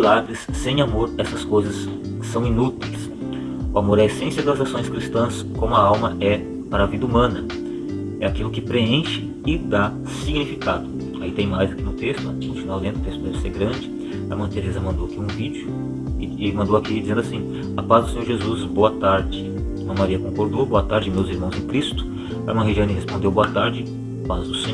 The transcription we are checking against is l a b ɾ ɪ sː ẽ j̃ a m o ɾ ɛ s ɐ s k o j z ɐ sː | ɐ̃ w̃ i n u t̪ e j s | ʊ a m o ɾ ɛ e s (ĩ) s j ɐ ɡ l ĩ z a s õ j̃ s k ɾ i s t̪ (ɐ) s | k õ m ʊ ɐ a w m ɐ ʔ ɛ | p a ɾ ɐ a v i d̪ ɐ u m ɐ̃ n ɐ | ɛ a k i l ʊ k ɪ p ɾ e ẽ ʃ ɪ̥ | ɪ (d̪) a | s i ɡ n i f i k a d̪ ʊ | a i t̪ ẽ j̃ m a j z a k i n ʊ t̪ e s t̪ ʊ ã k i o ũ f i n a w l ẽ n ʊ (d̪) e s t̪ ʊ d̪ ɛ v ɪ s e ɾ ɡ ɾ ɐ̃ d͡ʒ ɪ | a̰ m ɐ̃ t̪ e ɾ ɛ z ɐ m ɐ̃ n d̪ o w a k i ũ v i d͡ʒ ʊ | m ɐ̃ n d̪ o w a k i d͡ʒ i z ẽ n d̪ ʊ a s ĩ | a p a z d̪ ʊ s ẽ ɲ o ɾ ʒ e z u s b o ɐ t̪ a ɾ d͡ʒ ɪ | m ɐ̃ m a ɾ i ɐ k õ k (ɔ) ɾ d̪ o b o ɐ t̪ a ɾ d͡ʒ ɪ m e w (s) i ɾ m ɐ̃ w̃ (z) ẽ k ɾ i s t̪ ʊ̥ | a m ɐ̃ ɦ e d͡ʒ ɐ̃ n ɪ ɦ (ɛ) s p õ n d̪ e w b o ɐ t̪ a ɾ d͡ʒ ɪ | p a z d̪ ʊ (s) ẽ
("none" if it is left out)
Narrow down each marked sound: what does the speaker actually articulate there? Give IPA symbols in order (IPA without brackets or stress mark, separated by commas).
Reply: ẽ, ɐ̃, d̪, t̪, o, z, z, e, s